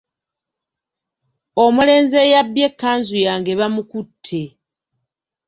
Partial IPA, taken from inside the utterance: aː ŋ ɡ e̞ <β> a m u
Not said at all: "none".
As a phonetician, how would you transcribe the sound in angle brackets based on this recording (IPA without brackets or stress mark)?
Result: β